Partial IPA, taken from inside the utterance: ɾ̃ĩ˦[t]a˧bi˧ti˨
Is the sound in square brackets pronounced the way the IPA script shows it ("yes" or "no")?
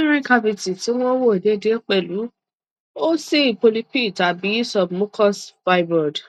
no